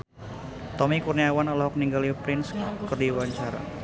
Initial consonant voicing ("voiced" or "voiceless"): voiceless